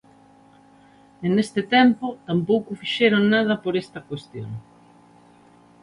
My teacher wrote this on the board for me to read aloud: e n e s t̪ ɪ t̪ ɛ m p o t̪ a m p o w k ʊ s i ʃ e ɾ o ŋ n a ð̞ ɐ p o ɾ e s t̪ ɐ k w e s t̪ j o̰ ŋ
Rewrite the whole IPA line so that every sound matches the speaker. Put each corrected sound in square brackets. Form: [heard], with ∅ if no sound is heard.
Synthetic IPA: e n e s t̪ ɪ t̪ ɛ m p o t̪ a m p o w k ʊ [f] i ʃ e ɾ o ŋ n a ð̞ ɐ p o ɾ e s t̪ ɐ k w e s t̪ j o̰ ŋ